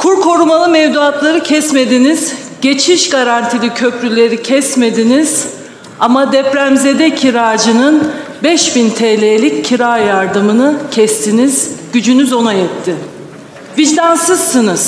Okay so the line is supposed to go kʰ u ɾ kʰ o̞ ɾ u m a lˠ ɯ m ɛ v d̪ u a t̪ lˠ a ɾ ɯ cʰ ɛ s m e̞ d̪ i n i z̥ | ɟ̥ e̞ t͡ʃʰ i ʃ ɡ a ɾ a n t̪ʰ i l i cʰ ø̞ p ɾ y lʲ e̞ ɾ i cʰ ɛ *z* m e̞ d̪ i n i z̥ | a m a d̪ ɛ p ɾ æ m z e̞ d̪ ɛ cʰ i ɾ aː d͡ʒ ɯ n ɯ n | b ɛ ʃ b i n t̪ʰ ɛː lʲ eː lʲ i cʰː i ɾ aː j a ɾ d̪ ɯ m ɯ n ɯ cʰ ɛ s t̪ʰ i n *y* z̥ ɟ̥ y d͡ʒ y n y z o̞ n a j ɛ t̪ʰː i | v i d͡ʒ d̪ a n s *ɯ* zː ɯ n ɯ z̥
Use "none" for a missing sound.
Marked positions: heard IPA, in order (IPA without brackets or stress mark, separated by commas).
s, i, ɯ